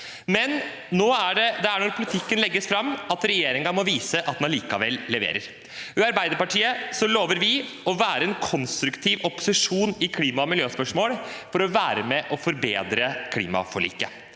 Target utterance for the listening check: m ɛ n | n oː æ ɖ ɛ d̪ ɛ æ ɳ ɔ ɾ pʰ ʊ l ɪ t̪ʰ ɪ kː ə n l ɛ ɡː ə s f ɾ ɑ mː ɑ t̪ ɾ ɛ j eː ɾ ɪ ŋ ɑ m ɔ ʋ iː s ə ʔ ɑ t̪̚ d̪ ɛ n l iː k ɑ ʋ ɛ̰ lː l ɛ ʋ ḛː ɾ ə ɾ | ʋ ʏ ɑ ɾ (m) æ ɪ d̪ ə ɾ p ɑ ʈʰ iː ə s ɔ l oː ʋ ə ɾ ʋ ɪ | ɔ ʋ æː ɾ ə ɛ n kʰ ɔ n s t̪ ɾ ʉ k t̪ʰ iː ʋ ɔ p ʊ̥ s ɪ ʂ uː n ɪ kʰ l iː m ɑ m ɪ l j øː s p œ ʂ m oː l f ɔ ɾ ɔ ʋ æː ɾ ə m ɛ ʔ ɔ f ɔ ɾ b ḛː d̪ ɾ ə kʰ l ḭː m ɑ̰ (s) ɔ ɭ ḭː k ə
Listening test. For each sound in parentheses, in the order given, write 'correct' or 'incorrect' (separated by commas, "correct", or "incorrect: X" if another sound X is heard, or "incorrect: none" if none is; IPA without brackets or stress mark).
incorrect: b, incorrect: f